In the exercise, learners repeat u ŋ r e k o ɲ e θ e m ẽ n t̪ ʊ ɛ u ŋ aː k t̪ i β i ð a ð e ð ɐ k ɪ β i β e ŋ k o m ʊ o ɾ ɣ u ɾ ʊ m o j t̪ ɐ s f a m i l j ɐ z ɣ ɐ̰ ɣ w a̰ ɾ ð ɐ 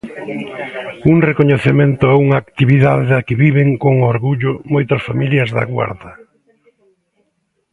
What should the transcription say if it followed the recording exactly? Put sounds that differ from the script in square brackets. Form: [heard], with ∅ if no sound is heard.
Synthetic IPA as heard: u ŋ r e k o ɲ e θ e m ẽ n t̪ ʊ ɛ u ŋ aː k t̪ i β i ð a ð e ð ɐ k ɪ β i β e ŋ k o [ŋ] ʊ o ɾ ɣ u [ʎ] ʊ m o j t̪ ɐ s f a m i l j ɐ z [ð] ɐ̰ ɣ w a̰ ɾ ð ɐ

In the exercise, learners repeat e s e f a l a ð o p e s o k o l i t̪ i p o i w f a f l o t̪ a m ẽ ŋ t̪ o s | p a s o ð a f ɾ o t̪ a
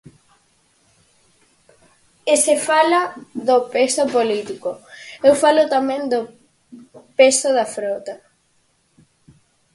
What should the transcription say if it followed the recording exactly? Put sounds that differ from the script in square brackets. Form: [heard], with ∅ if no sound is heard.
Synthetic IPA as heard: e s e f a l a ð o p e s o [p] o l i t̪ i [k] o [e] w f a [∅] l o t̪ a m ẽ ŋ [d̪] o [∅] | p [e] s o ð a f ɾ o t̪ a

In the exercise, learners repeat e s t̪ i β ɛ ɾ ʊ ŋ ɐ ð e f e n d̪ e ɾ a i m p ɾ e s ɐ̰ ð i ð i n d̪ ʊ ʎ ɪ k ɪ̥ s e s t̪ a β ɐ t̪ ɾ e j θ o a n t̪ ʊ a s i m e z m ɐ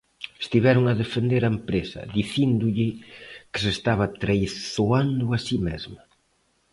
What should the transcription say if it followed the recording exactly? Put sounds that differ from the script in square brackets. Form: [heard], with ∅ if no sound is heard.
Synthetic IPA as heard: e s t̪ i β ɛ ɾ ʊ ŋ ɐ ð e f e n d̪ e ɾ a [e] m p ɾ e s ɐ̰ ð i [θ] i n d̪ ʊ ʎ ɪ k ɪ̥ s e s t̪ a β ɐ t̪ ɾ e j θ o a n [d̪] ʊ a s i m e z m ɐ

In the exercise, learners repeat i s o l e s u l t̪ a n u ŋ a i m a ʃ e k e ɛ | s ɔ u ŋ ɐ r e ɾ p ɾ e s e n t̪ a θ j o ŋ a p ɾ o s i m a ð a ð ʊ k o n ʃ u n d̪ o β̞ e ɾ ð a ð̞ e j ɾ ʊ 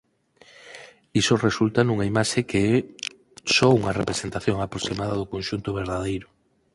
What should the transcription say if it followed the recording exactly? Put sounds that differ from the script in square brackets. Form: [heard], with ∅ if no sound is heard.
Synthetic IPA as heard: i s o [r] e s u l t̪ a n u ŋ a i m a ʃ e k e ɛ | s ɔ u ŋ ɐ r e [∅] p ɾ e s e n t̪ a θ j o ŋ a p ɾ o s i m a ð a ð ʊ k o n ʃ u n [t̪] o β̞ e ɾ ð a ð̞ e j ɾ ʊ

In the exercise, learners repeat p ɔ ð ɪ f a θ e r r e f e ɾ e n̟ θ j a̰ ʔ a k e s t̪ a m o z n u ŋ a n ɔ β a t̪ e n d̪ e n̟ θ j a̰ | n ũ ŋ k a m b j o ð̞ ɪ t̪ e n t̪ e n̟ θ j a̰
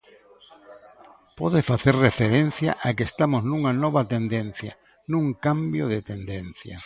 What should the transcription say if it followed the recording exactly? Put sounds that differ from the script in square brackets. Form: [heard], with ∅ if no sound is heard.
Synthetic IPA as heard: p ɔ ð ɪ f a θ e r r e f e ɾ e n̟ θ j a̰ ʔ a k e s t̪ a m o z n u ŋ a n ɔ β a t̪ e n d̪ e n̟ θ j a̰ | n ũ ŋ k a m b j o ð̞ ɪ t̪ e n [d̪] e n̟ θ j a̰

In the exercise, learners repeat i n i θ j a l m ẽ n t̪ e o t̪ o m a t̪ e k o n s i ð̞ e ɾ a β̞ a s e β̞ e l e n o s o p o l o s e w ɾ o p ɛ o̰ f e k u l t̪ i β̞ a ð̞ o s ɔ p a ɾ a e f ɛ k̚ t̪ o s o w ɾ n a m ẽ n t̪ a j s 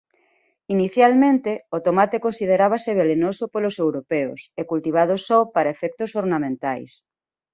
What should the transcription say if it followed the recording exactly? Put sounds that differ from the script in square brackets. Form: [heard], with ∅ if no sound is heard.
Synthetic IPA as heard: i n i θ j a l m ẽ n t̪ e o t̪ o m a t̪ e k o n s i ð̞ e ɾ a β̞ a s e β̞ e l e n o s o p o l o s e w ɾ o p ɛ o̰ [s] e k u l t̪ i β̞ a ð̞ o s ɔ p a ɾ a e f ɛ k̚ t̪ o s o [∅] ɾ n a m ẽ n t̪ a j s

